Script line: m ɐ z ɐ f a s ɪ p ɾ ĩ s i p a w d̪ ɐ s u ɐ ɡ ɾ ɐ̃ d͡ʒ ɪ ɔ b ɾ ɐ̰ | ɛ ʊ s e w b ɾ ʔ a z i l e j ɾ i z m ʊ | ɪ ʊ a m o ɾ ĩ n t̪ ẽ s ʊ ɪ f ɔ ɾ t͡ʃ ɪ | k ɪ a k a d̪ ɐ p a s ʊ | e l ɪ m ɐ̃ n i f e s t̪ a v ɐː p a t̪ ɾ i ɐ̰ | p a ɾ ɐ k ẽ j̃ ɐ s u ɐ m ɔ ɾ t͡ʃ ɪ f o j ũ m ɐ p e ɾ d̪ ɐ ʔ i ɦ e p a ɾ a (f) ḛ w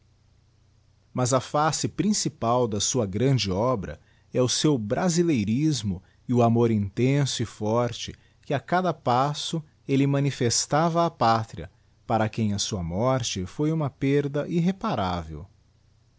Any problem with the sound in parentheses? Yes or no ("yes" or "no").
yes